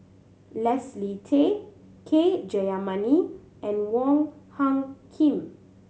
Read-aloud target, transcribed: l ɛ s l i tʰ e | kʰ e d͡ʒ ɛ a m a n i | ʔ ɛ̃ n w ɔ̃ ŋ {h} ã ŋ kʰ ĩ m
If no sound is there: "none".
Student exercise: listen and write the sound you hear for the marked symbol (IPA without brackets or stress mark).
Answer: h